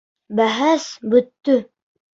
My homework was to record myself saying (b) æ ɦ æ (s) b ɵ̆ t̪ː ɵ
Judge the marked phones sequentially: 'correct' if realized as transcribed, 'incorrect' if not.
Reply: correct, correct

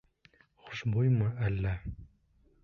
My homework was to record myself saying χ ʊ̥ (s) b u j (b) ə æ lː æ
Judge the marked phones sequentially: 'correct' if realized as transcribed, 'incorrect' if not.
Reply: incorrect: ʃ, incorrect: m

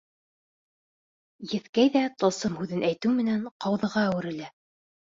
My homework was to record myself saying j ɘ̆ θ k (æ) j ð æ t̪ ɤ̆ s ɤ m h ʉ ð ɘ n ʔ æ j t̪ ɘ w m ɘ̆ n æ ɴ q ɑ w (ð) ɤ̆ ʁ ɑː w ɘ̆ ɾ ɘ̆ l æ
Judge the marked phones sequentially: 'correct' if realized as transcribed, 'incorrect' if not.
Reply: correct, correct

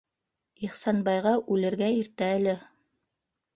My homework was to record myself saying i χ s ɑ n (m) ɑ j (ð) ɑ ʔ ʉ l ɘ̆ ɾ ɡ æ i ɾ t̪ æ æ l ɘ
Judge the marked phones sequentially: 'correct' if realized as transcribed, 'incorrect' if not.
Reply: incorrect: b, incorrect: ʁ

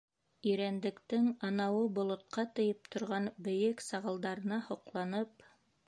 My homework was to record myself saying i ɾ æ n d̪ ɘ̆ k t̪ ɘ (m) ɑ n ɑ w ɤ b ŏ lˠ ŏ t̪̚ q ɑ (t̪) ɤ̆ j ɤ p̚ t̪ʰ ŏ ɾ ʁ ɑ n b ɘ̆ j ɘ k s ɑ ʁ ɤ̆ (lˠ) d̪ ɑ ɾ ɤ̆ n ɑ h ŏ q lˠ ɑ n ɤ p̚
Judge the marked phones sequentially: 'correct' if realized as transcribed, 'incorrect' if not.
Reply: incorrect: ŋ, correct, correct

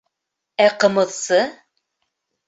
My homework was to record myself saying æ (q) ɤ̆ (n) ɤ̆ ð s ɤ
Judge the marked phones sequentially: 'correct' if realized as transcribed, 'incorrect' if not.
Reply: correct, incorrect: m

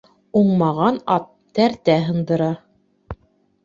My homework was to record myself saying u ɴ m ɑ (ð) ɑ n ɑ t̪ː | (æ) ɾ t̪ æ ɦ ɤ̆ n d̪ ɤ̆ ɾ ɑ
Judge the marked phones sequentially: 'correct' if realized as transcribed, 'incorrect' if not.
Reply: incorrect: ʁ, correct

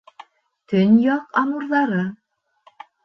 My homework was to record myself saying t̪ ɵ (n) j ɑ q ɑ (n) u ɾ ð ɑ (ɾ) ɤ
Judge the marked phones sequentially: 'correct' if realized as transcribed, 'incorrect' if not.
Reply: correct, incorrect: m, correct

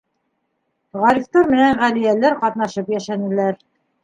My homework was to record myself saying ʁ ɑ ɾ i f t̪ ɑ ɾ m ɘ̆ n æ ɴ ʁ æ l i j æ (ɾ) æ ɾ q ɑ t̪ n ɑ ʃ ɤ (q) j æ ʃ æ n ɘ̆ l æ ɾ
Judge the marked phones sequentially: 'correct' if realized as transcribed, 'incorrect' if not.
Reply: incorrect: l, incorrect: p

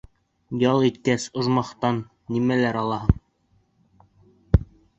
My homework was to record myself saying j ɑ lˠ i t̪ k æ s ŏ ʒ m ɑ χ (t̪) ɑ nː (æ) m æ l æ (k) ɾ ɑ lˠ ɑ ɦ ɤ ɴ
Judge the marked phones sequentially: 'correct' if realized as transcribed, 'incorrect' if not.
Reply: correct, incorrect: i, incorrect: none

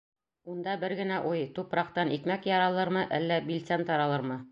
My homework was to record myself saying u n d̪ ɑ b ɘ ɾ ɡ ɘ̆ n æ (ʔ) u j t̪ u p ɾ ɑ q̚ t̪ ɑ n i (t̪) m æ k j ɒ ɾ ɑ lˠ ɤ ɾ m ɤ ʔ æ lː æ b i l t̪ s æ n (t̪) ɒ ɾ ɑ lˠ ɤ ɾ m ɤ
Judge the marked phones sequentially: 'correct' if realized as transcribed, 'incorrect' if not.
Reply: correct, correct, correct

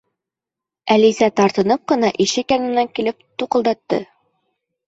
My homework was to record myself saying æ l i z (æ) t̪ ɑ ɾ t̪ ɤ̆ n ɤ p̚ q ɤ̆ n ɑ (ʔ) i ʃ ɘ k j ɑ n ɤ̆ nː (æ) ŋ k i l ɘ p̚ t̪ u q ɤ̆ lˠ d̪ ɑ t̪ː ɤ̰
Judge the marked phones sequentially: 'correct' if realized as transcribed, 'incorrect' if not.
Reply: correct, correct, correct

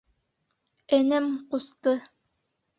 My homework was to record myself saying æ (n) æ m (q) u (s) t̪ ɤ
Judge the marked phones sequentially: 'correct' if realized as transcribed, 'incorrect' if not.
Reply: correct, correct, correct

